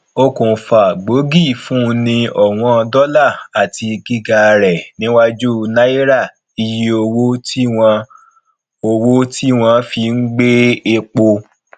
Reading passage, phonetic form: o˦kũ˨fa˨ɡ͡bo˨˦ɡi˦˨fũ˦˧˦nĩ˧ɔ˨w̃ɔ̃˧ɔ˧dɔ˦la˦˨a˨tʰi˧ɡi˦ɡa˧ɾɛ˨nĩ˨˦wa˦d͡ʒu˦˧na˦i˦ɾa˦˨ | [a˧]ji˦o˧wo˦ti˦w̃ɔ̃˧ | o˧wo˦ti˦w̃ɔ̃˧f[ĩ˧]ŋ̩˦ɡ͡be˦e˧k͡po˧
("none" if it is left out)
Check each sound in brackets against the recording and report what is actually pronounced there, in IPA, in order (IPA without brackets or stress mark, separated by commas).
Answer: i˧, i˧